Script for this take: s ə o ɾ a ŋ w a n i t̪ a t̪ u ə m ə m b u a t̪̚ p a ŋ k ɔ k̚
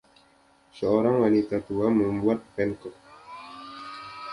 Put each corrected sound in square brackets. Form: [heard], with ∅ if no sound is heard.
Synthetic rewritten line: s ə o ɾ a ŋ w a n i t̪ a t̪ u [a] m ə m b u a t̪̚ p [ɛ] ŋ k ɔ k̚